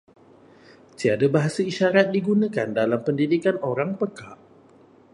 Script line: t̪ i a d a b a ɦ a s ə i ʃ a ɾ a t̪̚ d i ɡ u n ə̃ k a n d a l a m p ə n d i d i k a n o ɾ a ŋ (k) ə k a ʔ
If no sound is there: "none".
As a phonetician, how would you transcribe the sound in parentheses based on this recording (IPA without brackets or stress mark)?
p